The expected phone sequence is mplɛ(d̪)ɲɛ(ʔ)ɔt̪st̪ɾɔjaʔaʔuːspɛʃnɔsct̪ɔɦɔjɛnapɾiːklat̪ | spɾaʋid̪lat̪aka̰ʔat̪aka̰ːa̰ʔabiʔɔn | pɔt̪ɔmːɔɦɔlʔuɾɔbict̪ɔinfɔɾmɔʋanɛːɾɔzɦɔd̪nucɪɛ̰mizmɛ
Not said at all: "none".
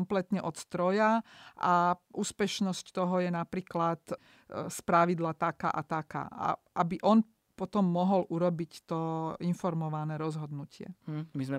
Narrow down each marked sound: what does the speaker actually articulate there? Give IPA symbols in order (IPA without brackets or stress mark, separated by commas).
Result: t̪, ʔ